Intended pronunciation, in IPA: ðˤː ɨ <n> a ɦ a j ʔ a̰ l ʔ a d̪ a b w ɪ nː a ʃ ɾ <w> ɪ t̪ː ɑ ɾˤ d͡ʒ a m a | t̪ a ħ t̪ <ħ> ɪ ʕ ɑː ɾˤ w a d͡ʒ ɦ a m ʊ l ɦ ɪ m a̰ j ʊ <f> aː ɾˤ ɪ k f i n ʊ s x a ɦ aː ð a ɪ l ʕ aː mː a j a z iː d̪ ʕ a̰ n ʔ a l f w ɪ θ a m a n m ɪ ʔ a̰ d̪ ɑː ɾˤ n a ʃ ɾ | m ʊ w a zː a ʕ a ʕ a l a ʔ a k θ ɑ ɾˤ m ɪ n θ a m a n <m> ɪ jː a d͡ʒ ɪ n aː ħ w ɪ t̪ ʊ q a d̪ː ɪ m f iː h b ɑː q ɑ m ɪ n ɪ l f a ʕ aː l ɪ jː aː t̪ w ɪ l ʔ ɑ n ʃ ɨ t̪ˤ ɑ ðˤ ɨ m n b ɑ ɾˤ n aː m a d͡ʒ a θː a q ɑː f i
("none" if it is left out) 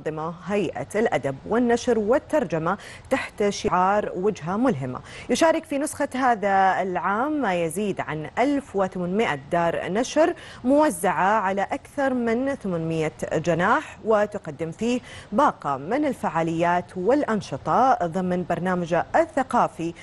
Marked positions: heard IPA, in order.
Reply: m, w, ʃ, ʃ, m

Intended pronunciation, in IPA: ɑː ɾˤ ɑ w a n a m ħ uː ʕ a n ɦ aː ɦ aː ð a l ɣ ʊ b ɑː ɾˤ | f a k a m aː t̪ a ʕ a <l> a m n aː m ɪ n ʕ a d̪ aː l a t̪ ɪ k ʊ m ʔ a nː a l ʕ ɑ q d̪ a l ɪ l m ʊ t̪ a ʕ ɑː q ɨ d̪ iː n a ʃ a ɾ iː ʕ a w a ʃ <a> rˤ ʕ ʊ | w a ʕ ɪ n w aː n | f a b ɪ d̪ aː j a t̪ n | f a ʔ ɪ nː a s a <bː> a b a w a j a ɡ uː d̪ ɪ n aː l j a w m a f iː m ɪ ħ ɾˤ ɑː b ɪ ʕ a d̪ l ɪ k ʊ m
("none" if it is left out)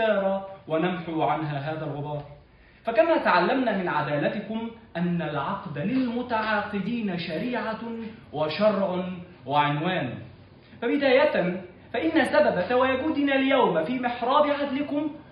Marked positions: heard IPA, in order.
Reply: lː, ɑ, b

